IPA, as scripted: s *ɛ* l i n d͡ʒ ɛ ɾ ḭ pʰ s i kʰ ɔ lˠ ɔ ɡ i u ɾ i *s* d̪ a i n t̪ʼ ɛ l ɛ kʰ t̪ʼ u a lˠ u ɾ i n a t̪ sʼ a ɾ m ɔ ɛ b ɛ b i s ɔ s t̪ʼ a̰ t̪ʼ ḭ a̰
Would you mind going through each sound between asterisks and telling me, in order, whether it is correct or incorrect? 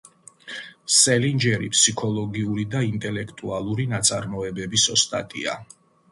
correct, incorrect: none

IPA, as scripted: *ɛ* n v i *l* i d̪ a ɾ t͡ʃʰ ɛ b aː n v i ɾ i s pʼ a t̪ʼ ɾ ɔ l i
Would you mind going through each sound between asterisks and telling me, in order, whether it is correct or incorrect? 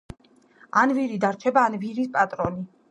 incorrect: a, incorrect: ɾ

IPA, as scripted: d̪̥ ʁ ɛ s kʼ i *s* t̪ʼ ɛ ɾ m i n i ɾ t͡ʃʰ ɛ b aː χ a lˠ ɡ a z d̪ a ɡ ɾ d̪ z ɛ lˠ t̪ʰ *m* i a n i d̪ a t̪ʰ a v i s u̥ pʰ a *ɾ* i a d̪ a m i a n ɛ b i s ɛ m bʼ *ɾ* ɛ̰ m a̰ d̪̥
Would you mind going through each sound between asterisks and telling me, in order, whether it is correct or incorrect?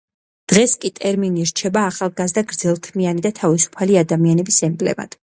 incorrect: none, correct, incorrect: l, incorrect: l

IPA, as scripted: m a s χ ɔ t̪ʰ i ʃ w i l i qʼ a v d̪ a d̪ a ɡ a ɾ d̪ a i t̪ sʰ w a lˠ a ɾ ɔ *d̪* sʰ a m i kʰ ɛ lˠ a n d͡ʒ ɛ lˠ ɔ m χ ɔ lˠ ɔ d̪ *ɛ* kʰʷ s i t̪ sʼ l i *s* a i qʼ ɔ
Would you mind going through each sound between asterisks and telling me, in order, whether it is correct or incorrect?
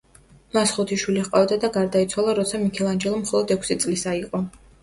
incorrect: t̪, correct, correct

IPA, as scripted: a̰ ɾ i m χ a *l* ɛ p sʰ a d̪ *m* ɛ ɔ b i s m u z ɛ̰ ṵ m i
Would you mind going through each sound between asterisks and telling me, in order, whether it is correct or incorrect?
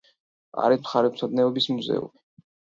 incorrect: ɾ, incorrect: n

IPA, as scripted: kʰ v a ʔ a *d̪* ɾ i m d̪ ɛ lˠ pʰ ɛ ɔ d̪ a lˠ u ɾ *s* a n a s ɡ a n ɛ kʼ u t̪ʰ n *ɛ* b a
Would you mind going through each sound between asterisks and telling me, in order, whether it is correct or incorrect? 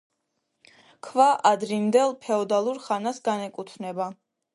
correct, incorrect: χ, correct

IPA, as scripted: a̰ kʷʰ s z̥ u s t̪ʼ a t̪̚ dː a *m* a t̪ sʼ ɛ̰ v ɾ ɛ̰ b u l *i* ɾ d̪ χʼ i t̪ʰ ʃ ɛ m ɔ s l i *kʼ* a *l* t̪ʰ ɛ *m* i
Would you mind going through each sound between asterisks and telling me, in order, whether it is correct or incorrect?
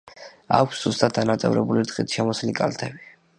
incorrect: n, correct, correct, correct, incorrect: b

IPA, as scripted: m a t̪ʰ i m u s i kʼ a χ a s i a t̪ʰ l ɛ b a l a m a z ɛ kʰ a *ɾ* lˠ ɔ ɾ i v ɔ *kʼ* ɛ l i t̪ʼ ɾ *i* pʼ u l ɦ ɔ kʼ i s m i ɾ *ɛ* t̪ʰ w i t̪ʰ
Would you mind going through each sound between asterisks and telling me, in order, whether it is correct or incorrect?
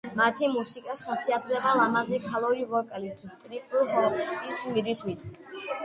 incorrect: none, correct, correct, incorrect: i

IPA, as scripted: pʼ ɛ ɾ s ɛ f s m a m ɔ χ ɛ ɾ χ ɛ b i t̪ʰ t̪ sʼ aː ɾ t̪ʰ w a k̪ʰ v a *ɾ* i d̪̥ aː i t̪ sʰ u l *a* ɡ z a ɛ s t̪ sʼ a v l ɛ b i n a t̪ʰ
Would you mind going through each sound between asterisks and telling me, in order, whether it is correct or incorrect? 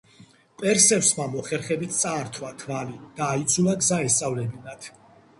incorrect: l, correct

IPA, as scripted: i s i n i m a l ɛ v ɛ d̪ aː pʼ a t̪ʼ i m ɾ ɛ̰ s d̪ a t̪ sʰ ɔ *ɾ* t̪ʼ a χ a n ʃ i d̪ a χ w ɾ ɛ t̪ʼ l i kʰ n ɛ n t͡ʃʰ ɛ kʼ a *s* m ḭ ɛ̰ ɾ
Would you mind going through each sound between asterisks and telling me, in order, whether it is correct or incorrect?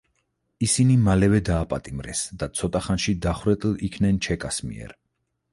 incorrect: none, correct

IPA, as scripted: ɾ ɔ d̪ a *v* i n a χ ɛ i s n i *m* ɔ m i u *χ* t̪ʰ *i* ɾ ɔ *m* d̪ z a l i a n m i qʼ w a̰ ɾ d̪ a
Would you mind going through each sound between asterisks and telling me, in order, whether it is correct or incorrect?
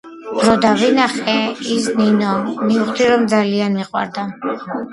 correct, incorrect: n, correct, correct, correct

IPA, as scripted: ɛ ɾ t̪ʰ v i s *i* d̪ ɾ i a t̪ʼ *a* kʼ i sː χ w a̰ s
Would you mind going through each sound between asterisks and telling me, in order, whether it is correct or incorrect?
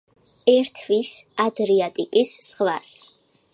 incorrect: a, incorrect: i

